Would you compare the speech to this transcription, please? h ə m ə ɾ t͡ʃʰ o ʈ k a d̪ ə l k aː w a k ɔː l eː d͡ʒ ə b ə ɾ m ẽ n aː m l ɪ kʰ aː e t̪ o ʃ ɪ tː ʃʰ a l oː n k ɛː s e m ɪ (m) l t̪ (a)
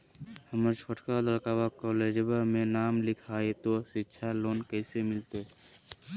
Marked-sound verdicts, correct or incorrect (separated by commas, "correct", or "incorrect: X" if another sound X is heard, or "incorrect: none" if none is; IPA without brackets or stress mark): incorrect: none, incorrect: e